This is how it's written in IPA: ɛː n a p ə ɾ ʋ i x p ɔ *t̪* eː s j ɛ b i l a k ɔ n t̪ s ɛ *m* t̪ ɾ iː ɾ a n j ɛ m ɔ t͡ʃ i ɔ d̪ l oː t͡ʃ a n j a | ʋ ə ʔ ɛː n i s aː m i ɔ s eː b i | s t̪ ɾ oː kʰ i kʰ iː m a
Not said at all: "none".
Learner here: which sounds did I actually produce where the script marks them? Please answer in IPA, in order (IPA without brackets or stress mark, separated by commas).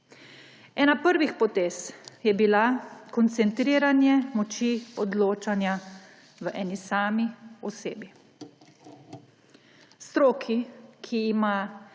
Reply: t̪, n